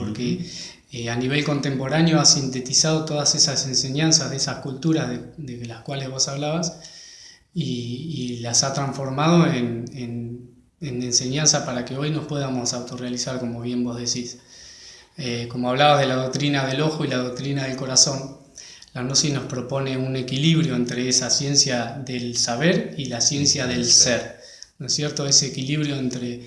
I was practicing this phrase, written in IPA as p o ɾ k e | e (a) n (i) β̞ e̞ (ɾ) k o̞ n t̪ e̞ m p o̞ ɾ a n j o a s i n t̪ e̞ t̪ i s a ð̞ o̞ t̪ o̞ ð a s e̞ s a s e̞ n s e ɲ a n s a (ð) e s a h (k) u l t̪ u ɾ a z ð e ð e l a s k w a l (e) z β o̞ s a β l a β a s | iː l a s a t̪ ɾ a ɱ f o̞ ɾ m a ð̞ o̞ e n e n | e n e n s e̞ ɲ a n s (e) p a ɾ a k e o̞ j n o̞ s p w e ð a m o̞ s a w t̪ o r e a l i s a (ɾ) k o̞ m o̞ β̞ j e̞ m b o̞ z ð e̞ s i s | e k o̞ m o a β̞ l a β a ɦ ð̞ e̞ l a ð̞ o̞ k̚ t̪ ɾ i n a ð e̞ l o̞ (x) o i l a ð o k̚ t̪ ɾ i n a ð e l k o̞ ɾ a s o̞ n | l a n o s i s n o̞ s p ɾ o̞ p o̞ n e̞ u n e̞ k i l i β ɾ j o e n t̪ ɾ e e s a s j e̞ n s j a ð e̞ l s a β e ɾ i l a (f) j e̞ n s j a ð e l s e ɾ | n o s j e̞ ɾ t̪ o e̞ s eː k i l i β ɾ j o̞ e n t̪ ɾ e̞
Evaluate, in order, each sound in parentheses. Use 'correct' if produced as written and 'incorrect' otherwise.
correct, correct, incorrect: l, correct, correct, correct, incorrect: a, correct, correct, incorrect: s

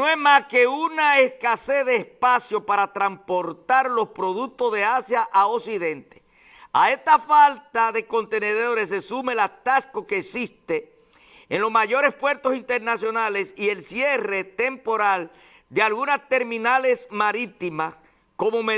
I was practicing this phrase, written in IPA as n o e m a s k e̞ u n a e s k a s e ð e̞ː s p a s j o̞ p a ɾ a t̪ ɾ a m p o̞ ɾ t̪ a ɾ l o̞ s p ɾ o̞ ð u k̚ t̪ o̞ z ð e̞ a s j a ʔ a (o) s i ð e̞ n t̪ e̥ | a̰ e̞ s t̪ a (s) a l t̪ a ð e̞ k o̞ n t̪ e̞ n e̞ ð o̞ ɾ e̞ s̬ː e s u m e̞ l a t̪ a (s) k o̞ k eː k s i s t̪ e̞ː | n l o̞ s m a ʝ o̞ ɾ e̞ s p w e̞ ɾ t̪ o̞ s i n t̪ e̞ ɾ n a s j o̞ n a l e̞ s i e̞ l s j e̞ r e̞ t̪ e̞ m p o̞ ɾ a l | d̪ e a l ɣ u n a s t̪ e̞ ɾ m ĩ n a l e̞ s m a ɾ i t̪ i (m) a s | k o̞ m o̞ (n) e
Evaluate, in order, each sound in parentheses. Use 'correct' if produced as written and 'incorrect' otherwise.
correct, incorrect: f, correct, correct, incorrect: m

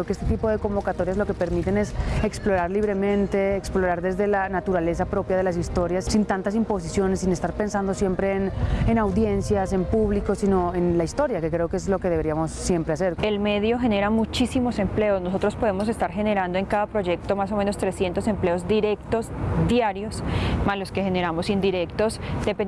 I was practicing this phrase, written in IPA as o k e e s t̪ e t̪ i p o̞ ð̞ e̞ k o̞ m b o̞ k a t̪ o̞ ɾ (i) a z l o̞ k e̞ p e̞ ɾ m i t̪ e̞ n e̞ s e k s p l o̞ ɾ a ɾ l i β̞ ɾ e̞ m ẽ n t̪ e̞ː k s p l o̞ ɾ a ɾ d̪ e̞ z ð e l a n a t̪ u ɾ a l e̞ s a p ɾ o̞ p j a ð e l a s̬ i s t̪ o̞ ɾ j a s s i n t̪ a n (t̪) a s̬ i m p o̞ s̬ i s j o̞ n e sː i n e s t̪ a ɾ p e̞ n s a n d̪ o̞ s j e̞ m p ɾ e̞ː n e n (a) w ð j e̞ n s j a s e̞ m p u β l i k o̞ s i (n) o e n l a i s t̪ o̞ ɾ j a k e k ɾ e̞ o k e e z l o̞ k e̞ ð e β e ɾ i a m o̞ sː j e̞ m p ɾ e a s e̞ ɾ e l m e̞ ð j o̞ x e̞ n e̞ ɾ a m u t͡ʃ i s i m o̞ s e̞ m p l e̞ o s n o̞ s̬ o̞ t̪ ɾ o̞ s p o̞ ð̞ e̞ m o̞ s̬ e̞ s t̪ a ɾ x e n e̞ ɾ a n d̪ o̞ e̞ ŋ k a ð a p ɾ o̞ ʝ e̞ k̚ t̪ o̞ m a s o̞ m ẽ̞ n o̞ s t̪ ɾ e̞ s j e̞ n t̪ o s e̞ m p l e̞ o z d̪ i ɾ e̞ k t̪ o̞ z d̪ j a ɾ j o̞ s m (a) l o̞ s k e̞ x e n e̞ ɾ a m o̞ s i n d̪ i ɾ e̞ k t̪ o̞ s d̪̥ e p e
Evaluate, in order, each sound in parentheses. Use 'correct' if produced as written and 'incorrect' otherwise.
incorrect: j, correct, correct, correct, correct

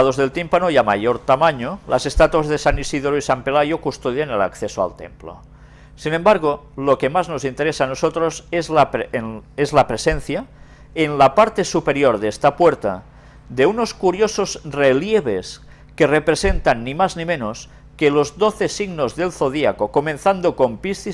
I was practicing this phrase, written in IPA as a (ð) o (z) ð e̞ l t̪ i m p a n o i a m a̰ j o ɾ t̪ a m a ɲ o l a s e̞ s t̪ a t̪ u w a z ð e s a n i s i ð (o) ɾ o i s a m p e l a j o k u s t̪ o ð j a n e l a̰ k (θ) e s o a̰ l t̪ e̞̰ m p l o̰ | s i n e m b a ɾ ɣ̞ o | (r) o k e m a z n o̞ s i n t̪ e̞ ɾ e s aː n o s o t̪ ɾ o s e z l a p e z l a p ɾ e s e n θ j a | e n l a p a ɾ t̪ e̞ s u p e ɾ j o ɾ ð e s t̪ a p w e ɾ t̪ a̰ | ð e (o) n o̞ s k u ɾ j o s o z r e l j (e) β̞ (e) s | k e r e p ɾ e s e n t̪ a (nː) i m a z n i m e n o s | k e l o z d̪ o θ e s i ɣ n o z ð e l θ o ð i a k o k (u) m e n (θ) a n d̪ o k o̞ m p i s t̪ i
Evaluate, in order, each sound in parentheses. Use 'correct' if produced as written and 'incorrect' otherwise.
correct, correct, correct, correct, incorrect: l, incorrect: u, correct, correct, correct, incorrect: o, correct

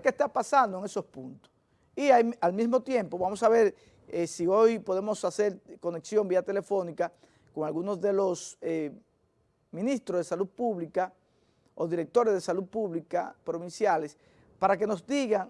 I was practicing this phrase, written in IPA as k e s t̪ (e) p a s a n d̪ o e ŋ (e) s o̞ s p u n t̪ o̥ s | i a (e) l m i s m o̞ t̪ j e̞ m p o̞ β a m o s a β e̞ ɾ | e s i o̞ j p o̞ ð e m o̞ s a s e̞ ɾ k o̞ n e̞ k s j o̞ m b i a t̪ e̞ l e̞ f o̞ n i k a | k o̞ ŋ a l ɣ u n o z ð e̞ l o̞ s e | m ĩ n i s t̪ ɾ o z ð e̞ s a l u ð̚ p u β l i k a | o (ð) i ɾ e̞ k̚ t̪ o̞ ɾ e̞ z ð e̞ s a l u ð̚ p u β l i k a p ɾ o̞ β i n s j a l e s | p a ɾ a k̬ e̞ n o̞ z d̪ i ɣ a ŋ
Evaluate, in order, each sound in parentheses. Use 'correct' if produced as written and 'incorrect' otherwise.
incorrect: a, correct, incorrect: a, correct

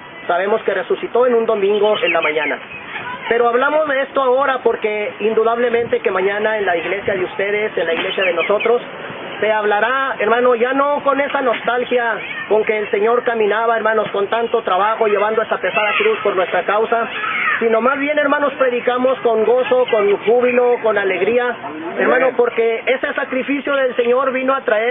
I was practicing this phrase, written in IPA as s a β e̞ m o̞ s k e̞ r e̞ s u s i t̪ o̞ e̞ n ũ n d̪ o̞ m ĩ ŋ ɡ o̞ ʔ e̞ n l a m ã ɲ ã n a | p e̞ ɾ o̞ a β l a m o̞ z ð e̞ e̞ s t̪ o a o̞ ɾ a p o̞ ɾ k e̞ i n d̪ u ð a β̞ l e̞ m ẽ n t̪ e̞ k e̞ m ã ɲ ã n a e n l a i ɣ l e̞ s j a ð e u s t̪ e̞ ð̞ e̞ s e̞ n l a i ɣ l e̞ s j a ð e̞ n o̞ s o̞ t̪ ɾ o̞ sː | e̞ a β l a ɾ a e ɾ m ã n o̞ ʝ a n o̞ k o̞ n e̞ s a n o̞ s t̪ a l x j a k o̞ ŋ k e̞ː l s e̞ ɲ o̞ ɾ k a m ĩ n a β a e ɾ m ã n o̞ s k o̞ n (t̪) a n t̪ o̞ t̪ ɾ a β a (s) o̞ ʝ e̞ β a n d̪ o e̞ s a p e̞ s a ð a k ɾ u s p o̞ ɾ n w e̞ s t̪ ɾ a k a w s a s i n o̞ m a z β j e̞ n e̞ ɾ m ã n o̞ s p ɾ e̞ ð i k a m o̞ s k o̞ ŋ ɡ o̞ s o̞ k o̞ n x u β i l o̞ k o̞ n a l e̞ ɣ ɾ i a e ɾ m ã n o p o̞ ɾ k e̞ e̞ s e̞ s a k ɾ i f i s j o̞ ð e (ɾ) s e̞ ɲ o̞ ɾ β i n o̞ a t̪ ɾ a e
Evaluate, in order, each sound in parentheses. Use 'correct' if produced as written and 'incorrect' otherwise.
correct, incorrect: x, incorrect: l

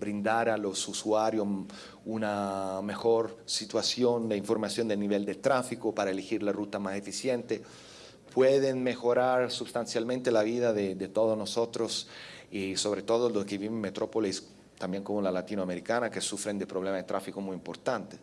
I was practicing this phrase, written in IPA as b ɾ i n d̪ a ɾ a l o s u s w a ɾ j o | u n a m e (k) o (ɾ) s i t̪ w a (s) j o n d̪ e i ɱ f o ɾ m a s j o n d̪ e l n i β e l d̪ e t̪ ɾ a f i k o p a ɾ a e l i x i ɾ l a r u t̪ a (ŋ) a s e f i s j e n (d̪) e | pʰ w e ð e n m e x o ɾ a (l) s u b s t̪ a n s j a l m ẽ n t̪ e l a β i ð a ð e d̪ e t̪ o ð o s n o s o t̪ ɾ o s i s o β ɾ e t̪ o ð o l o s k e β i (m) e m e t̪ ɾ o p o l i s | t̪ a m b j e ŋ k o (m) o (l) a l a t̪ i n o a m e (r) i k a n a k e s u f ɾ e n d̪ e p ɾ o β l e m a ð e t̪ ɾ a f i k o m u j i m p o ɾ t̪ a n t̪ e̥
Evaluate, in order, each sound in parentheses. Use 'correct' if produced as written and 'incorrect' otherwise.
incorrect: x, correct, correct, incorrect: m, incorrect: t̪, incorrect: ɾ, correct, correct, correct, incorrect: ɾ

